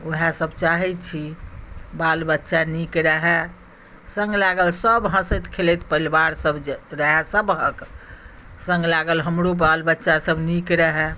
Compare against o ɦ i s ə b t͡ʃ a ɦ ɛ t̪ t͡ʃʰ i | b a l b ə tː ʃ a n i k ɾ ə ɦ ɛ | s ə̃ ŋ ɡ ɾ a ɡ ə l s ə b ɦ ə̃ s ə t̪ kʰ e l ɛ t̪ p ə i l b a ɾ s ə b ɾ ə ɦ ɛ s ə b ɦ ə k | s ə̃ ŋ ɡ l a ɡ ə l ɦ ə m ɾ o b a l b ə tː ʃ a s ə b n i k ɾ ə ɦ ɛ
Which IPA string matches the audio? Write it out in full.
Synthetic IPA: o ɦ a s ə b t͡ʃ a ɦ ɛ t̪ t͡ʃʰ i | b a l b ə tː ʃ a n i k ɾ ə ɦ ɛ | s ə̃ ŋ ɡ l a ɡ ə l s ə b ɦ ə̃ s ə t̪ kʰ e l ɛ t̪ p ə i l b a ɾ s ə b ɾ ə ɦ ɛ s ə b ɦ ə k | s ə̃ ŋ ɡ l a ɡ ə l ɦ ə m ɾ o b a l b ə tː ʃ a s ə b n i k ɾ ə ɦ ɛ